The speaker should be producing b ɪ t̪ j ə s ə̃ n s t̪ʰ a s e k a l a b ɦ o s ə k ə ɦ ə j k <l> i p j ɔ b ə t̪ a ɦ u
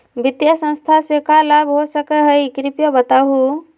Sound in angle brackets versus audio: incorrect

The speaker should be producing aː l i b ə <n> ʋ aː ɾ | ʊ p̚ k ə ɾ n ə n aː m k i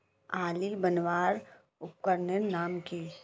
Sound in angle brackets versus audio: correct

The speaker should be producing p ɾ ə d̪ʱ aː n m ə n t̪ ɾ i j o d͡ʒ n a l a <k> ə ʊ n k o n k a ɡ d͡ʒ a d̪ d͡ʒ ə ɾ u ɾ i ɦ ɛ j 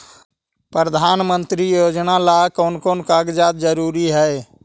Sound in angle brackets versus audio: correct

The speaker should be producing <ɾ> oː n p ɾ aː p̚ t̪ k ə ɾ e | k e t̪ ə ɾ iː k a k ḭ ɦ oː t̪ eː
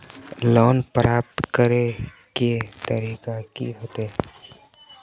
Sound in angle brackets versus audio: incorrect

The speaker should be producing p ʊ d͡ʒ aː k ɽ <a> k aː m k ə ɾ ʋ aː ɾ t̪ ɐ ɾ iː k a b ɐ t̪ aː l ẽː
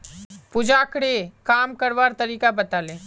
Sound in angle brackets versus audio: incorrect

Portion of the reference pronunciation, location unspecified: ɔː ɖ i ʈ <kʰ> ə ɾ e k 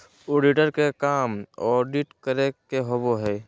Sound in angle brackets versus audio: incorrect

